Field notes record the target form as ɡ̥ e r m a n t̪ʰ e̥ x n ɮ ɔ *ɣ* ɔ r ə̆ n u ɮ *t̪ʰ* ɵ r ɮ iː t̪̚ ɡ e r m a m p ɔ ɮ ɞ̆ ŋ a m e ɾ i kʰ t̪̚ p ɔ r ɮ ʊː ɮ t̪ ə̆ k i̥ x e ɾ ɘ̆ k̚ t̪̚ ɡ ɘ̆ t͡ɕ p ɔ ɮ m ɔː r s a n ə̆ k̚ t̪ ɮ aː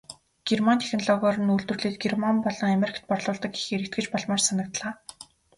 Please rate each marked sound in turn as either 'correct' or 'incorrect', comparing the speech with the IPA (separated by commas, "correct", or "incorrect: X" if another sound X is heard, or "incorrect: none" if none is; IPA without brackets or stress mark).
correct, incorrect: t̪